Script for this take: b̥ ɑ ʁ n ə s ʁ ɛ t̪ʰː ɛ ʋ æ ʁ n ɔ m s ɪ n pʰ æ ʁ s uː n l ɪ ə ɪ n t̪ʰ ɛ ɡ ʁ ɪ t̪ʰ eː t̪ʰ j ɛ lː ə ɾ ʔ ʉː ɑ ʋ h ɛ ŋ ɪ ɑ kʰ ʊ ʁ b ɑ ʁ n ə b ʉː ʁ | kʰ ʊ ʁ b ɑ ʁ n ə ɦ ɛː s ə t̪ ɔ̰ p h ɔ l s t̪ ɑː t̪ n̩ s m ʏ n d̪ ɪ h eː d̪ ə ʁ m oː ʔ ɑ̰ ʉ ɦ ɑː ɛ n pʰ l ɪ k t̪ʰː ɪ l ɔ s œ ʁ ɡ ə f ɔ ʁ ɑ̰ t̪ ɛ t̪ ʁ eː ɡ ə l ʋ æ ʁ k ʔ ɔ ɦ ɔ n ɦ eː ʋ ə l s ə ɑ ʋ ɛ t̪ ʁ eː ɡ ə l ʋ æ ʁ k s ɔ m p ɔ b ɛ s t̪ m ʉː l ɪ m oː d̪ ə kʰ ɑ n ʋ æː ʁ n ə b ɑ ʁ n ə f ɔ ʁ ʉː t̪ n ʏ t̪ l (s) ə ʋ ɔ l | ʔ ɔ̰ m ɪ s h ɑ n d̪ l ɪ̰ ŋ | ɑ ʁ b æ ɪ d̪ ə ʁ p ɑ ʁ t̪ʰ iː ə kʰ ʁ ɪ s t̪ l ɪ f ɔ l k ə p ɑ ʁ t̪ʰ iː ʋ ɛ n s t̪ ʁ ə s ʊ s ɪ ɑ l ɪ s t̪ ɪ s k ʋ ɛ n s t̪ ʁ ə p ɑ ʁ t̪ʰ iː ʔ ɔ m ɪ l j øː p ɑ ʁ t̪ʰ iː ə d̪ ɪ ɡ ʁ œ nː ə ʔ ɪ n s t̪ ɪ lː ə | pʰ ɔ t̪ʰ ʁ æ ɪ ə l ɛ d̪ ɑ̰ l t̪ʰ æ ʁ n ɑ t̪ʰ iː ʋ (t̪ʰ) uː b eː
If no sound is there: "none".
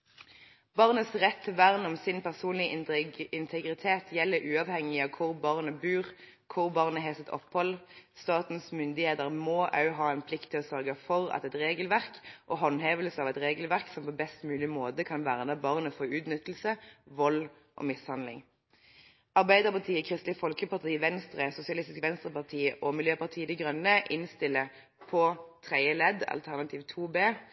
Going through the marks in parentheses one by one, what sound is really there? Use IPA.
s, t̪ʰ

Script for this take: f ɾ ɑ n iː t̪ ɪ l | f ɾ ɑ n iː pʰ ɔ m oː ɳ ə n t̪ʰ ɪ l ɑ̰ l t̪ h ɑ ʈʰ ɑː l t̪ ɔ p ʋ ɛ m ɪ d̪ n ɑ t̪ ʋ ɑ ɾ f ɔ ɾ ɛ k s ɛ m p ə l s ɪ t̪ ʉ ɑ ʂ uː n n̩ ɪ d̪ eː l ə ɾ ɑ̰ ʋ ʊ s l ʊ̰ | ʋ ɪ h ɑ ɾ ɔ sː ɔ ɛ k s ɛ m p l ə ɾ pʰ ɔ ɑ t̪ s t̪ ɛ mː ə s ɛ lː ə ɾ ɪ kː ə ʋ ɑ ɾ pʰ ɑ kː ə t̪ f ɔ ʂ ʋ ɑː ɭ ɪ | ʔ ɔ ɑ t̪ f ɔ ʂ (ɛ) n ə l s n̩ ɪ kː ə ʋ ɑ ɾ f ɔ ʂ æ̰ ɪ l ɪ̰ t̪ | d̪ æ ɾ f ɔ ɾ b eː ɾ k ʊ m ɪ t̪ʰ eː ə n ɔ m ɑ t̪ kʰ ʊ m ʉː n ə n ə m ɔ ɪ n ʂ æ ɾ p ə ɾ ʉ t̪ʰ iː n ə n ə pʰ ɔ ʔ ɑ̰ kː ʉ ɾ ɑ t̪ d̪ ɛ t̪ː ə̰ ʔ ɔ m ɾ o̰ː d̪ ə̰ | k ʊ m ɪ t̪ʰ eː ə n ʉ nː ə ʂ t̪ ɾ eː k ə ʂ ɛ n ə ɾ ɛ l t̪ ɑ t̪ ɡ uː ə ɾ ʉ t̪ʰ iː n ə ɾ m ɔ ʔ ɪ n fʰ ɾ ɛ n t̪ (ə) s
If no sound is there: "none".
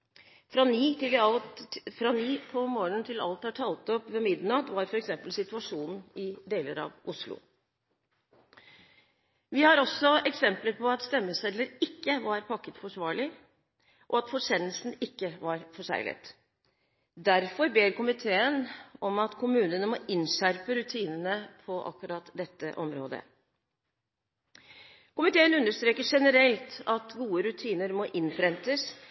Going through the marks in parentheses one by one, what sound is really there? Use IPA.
ɛ, ə

